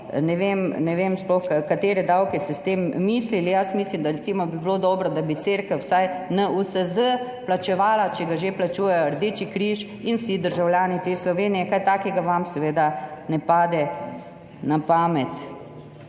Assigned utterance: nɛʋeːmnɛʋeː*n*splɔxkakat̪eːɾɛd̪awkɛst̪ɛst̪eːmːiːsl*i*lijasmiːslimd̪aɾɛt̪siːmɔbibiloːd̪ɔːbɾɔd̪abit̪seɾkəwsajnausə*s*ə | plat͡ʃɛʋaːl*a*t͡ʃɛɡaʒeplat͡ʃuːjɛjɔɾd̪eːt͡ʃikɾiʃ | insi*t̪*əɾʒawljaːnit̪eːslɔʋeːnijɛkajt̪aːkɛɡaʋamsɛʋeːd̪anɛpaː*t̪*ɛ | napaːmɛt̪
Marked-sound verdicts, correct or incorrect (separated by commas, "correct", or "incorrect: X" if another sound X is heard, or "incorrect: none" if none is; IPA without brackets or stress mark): incorrect: m, correct, incorrect: z, correct, incorrect: d̪, incorrect: d̪